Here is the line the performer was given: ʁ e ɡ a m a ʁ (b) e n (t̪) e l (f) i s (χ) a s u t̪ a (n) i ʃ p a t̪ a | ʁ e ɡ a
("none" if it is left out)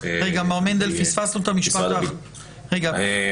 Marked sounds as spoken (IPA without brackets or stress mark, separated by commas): m, d̪, f, f, m